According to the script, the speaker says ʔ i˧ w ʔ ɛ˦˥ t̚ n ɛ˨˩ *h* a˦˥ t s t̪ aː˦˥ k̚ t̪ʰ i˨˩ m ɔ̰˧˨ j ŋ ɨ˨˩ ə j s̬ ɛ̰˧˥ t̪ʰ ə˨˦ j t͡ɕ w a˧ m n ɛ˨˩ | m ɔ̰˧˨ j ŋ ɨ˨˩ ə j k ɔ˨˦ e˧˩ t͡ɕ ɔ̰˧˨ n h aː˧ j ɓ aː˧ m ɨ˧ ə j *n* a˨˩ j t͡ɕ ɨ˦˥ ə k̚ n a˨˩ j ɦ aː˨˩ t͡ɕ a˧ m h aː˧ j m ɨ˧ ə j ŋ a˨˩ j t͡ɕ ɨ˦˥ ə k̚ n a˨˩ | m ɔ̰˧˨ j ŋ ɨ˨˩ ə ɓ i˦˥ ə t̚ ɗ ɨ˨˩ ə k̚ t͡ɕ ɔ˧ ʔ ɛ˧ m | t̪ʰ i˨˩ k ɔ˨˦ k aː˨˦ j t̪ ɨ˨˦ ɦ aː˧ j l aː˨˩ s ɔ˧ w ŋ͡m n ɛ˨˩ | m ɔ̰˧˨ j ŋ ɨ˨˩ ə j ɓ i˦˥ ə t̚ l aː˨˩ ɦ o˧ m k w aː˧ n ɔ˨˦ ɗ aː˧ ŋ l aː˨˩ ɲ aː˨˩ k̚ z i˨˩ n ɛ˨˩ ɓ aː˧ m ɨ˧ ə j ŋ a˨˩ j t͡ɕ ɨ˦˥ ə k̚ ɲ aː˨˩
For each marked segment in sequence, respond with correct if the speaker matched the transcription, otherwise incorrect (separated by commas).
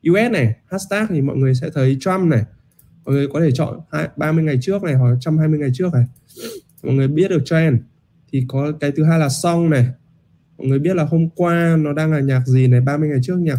correct, incorrect